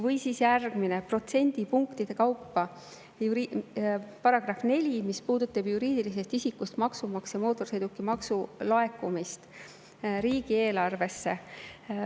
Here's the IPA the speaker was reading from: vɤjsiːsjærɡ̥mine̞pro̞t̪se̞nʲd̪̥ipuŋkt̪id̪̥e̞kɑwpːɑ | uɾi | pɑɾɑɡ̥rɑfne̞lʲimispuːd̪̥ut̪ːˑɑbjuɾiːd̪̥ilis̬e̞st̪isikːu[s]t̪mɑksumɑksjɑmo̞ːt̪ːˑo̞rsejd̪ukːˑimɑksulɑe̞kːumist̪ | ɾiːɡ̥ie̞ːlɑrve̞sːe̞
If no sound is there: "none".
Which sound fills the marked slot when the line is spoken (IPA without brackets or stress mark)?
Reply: s